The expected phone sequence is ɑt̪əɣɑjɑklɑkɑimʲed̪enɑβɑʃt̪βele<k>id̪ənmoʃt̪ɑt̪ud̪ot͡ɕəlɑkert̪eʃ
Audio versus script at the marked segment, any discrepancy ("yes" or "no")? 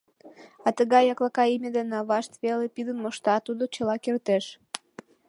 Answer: yes